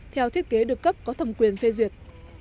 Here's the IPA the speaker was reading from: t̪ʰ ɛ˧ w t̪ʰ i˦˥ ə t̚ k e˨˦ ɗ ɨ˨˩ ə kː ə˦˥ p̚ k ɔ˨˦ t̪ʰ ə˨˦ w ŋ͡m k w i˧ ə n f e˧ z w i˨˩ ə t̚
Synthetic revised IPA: t̪ʰ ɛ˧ w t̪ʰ i˦˥ ə t̚ k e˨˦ ɗ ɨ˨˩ ə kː ə˦˥ p̚ k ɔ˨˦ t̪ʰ ə˧˩ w ŋ͡m k w i˨˩ ə n f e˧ z w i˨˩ ə t̚